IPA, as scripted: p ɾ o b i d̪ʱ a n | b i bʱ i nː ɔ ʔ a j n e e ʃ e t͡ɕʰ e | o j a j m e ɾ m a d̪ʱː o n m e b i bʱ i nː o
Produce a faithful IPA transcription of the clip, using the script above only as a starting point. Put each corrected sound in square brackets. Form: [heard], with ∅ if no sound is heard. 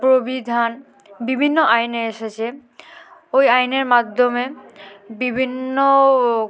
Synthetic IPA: p ɾ o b i d̪ʱ a n | b i bʱ i nː [o] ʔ a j n e e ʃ e t͡ɕʰ e | o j a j [n] e ɾ m a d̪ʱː o [∅] m e b i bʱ i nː o